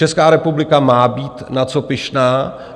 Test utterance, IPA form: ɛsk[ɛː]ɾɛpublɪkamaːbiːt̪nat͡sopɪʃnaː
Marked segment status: incorrect: aː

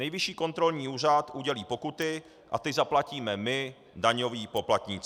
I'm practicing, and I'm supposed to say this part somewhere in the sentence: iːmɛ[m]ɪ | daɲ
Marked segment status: correct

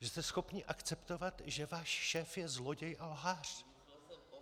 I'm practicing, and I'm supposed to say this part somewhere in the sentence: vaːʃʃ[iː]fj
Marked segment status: incorrect: ɛː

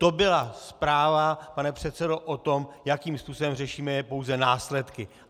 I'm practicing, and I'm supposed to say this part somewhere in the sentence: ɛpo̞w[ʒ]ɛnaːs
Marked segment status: incorrect: z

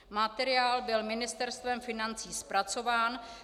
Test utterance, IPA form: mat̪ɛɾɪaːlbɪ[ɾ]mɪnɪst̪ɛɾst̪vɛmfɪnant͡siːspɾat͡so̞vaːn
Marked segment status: incorrect: l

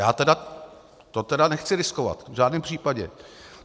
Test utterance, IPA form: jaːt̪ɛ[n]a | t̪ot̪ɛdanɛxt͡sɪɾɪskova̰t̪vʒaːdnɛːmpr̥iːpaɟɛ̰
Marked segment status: incorrect: d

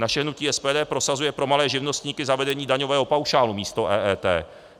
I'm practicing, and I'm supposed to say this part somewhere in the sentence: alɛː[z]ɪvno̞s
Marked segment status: incorrect: ʒ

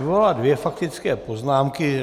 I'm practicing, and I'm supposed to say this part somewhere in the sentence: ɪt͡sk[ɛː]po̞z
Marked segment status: correct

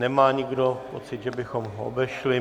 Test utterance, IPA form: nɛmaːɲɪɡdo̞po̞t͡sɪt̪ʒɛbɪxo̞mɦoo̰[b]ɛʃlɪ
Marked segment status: correct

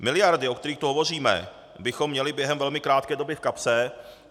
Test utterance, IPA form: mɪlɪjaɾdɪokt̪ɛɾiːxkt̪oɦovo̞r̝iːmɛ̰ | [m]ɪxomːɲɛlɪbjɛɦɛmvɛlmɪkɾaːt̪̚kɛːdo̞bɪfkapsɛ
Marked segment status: incorrect: b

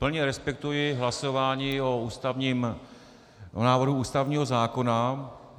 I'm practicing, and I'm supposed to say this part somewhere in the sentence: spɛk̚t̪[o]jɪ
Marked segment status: incorrect: u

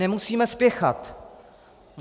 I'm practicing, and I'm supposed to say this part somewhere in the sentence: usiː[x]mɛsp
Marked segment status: incorrect: none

